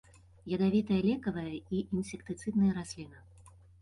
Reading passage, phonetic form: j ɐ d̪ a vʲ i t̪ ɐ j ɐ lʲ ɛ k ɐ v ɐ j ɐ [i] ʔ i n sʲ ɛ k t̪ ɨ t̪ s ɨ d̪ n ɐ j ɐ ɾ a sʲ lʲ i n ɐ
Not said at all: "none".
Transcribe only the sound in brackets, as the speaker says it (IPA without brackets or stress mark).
i